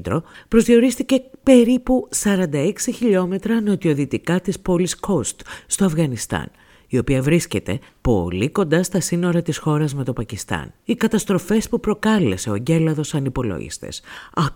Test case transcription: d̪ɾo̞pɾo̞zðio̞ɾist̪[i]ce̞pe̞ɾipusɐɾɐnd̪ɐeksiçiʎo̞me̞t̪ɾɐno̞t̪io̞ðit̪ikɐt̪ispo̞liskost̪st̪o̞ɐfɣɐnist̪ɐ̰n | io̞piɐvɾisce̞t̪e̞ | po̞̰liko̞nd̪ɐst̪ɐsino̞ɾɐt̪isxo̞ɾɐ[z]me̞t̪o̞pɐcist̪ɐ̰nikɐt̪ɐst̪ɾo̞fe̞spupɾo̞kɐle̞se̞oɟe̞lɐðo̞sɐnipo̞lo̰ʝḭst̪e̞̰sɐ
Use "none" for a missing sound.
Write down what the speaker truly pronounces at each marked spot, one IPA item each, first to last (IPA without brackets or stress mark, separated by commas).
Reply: i, z